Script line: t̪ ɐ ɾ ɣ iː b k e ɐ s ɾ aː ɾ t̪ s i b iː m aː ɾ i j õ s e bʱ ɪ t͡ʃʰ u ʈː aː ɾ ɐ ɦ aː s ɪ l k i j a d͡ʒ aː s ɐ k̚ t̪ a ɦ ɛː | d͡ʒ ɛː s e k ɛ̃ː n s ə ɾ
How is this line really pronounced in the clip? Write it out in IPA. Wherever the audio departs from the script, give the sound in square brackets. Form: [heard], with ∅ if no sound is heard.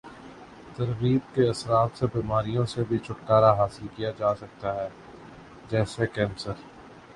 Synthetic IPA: t̪ ɐ ɾ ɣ iː b k e ɐ s ɾ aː [∅] t̪ s [e] b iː m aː ɾ i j õ s e bʱ [i] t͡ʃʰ [ʊ] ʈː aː ɾ [a] ɦ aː s ɪ l k i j a d͡ʒ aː s ɐ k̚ t̪ a ɦ ɛː | d͡ʒ ɛː s e k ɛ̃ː n s ə ɾ